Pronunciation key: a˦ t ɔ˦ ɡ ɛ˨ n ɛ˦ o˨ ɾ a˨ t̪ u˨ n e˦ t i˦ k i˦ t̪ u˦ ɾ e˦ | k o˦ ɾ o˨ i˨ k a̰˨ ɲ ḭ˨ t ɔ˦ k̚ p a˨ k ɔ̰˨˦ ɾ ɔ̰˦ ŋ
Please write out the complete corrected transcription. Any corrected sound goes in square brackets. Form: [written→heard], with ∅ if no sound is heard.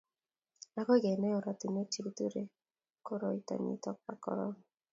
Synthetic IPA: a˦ [t→k] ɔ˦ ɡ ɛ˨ n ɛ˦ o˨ ɾ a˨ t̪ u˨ n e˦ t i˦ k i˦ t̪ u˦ ɾ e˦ | k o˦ ɾ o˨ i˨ [k→t] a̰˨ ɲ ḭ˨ t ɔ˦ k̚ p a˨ k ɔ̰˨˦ ɾ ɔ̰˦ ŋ